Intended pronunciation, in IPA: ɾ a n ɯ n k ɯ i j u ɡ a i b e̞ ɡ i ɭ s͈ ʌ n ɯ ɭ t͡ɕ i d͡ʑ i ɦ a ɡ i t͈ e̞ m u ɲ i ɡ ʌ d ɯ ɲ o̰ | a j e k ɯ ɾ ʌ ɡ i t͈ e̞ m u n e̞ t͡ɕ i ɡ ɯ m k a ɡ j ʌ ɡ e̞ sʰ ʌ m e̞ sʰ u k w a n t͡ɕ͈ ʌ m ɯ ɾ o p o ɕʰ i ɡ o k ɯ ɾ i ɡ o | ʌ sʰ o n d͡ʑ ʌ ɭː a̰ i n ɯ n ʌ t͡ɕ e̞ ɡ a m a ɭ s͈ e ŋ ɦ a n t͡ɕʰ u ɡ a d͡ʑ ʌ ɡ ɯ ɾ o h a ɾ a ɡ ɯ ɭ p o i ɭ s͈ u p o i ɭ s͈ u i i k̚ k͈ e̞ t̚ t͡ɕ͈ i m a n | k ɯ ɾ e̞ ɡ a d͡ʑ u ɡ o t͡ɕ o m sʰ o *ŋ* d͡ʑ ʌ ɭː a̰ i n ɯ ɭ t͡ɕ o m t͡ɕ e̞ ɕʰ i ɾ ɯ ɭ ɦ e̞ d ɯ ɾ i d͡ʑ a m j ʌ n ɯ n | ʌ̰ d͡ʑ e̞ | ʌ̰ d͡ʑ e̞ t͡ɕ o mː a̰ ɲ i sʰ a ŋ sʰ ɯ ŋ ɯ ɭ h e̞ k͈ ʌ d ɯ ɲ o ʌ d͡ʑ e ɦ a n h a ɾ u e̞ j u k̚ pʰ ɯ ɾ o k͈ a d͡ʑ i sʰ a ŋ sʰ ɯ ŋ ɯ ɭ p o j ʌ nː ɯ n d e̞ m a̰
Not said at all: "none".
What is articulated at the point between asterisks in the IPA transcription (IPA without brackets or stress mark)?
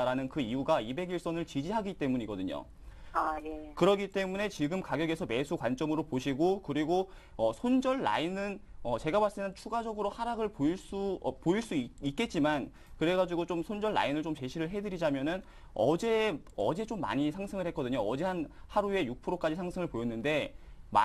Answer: n